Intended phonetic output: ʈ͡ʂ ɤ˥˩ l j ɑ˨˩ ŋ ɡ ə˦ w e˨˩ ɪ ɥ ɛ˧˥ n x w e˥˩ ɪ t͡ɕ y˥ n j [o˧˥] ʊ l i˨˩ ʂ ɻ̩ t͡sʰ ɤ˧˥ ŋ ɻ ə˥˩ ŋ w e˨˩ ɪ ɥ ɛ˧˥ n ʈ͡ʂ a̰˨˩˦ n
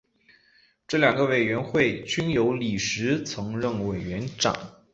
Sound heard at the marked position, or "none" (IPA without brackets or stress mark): o˧˥